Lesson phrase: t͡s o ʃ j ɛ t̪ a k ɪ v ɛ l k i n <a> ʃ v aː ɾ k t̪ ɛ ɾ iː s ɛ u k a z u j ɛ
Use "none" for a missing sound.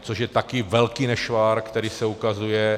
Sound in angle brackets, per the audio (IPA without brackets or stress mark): ɛ